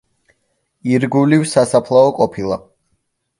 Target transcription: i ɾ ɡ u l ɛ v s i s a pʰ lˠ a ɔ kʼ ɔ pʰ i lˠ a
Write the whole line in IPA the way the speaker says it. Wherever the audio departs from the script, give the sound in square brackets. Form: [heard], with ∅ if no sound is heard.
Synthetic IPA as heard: i ɾ ɡ u l [i] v s [a] s a pʰ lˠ a ɔ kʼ ɔ pʰ i lˠ a